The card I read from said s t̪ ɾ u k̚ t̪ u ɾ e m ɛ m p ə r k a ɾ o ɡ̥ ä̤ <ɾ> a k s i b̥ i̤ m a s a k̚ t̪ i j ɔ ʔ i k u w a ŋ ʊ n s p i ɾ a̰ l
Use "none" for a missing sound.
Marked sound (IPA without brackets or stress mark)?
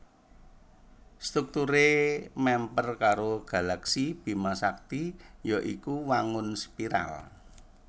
l